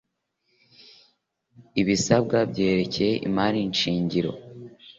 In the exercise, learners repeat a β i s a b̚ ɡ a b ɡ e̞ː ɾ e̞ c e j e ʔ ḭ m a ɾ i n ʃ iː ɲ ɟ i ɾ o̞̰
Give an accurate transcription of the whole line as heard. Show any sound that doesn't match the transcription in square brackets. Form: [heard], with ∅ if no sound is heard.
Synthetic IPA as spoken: [i] β i s a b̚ ɡ a b [ɟ] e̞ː ɾ e̞ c e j e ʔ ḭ m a ɾ i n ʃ iː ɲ ɟ i ɾ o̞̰